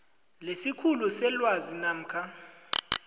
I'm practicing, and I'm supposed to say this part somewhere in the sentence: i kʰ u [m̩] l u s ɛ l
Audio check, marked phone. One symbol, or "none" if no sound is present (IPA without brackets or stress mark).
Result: none